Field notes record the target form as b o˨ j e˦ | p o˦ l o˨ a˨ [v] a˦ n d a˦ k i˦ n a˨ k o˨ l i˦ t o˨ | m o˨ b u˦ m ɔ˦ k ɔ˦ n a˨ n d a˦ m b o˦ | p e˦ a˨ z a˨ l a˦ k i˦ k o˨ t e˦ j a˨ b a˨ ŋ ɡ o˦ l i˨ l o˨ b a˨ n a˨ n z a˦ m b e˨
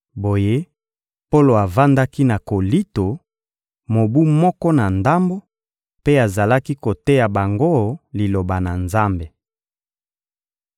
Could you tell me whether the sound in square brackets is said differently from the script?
no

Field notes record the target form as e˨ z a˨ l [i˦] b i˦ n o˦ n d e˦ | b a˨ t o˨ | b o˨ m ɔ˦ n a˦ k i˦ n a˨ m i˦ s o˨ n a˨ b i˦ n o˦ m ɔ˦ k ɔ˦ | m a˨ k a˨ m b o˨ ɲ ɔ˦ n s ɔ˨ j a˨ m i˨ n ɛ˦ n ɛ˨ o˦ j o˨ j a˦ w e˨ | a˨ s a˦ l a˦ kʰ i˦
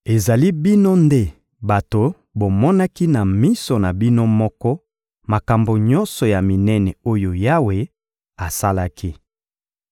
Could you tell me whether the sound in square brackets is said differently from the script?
no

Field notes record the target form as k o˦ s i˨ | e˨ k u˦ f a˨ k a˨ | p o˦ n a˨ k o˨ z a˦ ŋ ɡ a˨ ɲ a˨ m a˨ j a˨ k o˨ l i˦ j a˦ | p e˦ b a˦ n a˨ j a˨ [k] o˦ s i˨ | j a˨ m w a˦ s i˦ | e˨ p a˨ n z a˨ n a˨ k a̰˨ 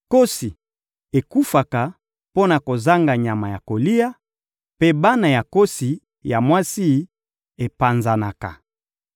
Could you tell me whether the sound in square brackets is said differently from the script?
no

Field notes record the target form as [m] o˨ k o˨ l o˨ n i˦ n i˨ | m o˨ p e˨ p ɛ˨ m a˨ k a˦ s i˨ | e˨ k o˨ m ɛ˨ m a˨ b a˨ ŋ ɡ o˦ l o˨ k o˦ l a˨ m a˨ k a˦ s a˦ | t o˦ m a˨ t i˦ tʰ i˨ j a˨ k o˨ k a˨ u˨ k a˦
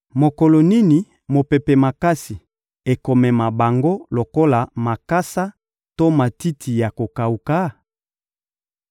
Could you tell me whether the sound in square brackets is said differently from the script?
no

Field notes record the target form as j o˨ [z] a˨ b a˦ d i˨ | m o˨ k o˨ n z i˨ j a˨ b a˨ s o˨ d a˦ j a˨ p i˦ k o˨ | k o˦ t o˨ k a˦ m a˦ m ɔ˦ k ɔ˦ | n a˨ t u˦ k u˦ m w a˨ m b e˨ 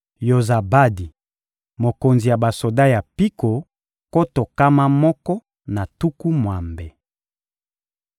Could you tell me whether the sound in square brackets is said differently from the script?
no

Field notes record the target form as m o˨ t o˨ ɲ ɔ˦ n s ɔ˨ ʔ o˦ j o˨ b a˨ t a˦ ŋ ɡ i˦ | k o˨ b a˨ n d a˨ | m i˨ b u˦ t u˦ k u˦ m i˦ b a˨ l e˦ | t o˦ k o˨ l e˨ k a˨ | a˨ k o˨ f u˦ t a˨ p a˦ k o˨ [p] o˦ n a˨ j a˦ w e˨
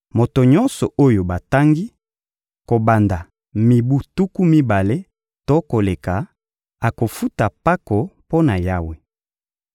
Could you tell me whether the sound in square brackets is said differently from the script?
no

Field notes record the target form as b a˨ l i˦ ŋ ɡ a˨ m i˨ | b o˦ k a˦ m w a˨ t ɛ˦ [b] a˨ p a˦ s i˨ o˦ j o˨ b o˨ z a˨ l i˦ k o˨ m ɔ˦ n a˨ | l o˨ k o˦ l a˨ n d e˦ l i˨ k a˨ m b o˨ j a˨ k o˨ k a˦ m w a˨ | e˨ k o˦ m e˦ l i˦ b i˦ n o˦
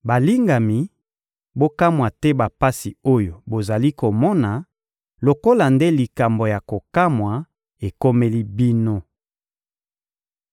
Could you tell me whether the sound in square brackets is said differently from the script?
no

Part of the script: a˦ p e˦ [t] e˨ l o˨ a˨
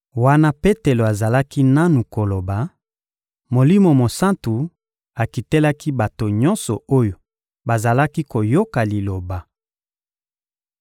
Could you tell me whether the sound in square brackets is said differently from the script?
no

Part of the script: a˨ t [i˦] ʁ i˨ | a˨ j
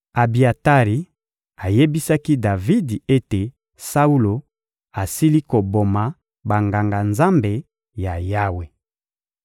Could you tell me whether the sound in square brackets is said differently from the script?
yes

